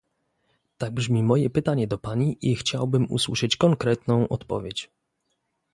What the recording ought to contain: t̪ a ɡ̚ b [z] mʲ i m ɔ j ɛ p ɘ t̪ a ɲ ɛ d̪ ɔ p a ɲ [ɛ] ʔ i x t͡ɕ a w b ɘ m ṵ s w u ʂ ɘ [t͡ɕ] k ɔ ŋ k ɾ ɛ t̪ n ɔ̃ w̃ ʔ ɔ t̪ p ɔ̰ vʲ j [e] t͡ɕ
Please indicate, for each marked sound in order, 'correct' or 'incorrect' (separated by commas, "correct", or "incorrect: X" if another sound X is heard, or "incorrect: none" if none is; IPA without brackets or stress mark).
incorrect: ʐ, incorrect: i, correct, correct